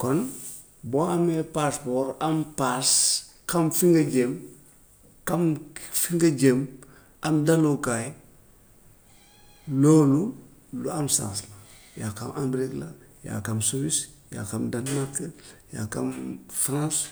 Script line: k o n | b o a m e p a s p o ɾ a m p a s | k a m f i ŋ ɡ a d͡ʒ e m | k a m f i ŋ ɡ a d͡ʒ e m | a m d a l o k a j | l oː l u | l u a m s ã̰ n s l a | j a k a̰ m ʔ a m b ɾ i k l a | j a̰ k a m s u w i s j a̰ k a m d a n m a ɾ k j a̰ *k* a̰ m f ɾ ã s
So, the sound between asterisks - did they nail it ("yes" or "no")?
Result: yes